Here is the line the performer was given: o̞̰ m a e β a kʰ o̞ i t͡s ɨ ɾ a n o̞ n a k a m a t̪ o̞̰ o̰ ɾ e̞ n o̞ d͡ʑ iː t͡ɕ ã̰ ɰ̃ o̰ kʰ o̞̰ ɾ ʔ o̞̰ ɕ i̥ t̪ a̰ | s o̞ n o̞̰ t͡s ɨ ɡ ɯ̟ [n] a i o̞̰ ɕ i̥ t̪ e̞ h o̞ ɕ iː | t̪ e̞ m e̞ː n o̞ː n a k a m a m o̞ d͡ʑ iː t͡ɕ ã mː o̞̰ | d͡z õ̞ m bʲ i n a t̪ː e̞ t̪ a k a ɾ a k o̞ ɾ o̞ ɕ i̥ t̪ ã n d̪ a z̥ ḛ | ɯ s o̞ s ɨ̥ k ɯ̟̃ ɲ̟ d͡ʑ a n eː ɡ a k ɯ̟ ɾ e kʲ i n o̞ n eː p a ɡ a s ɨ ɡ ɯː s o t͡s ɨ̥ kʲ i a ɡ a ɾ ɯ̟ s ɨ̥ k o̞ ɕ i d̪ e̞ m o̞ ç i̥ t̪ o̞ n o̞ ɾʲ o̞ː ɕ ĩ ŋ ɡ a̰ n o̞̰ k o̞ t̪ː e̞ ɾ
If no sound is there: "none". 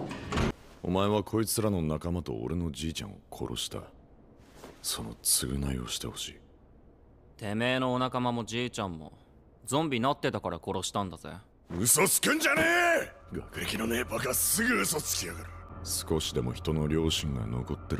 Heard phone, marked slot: n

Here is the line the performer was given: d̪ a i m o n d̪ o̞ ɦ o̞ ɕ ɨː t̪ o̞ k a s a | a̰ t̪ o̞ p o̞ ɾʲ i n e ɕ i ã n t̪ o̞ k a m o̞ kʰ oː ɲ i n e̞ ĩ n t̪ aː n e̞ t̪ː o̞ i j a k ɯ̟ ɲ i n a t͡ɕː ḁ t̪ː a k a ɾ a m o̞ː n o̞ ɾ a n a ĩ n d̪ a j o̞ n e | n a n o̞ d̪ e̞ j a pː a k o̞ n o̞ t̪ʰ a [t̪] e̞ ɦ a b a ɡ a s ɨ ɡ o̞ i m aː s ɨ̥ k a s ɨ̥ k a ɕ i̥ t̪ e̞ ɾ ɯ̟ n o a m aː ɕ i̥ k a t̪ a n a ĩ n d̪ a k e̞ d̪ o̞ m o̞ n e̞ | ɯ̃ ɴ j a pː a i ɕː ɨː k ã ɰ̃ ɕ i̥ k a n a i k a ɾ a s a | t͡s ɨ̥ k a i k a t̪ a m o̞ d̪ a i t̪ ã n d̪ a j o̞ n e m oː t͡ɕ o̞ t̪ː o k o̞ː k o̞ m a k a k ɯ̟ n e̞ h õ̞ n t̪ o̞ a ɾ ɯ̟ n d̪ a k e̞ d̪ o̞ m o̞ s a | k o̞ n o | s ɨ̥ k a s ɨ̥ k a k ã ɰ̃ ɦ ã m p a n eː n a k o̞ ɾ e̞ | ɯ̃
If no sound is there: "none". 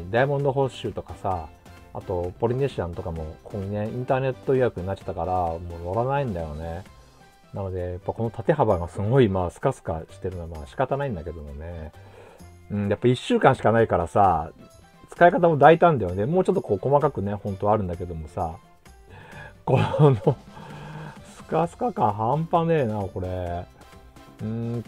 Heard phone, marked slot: t̪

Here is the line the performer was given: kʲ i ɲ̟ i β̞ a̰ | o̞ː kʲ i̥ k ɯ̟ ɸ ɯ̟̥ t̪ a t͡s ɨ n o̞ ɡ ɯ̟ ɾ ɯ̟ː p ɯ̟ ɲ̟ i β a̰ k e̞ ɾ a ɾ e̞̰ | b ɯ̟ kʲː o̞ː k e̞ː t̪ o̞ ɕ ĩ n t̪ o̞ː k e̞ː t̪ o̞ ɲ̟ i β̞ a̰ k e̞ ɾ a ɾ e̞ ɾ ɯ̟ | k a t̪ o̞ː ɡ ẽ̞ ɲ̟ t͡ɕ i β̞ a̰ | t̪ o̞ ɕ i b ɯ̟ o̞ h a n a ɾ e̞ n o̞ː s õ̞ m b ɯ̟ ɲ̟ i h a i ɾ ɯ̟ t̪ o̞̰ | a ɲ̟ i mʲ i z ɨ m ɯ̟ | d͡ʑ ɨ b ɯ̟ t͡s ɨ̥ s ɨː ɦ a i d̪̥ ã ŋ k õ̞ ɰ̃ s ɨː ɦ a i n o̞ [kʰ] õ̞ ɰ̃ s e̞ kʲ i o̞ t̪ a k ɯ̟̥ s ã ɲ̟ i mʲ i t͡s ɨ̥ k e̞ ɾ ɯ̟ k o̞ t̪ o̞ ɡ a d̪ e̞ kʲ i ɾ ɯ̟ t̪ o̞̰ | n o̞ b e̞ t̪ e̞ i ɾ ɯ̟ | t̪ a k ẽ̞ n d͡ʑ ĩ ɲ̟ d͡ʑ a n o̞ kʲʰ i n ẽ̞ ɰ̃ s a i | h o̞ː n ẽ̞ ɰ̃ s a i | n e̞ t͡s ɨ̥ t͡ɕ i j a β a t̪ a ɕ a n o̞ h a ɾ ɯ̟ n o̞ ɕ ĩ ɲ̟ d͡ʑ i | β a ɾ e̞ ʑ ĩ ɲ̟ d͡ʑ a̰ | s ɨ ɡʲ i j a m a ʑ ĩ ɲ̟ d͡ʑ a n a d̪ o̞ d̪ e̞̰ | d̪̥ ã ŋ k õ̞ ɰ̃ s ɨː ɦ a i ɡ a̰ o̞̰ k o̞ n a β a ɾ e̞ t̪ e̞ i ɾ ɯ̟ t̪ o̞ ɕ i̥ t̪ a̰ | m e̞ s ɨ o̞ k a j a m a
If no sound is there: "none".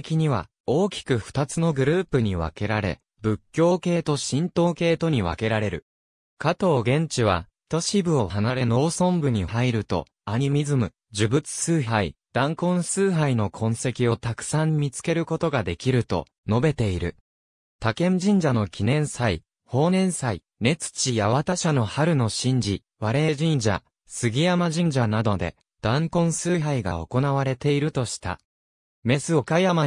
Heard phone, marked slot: kʰ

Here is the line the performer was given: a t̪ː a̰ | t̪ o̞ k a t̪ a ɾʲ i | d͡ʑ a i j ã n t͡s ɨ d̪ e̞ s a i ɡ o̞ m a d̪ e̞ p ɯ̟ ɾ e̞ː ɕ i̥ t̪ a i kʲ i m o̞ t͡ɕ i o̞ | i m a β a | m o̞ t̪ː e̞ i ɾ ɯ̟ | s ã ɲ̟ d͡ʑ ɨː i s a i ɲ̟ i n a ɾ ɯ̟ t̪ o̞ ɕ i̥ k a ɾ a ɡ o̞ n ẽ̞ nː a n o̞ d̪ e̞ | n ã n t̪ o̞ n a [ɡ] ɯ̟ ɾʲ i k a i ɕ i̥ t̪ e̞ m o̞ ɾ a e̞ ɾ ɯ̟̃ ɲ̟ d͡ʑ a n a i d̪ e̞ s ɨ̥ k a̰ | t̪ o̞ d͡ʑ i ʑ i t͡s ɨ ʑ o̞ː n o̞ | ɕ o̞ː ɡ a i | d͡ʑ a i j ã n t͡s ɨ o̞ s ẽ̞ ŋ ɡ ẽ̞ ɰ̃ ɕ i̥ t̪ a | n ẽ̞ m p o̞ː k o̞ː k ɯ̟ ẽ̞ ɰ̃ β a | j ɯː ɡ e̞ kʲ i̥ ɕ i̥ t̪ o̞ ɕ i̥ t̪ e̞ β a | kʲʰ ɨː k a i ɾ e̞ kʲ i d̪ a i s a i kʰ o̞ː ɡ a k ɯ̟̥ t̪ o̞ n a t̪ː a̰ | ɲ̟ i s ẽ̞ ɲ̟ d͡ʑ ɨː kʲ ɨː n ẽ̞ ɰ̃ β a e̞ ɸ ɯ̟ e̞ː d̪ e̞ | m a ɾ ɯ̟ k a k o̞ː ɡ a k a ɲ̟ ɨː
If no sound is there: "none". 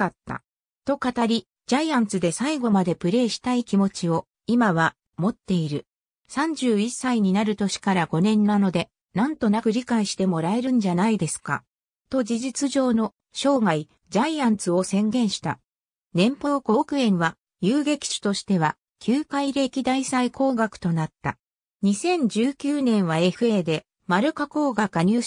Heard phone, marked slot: k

